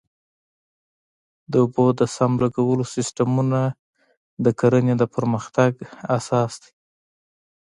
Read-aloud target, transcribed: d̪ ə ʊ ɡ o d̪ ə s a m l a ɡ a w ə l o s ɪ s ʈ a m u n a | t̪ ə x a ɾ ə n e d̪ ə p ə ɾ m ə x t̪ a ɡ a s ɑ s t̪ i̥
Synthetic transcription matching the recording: d̪ ə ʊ b o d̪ ə s a m l a ɡ a w ə l o s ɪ s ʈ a m u n a | d̪ ə k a ɾ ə n e d̪ ə p ə ɾ m ə x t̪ a ɡ a s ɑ s d̪ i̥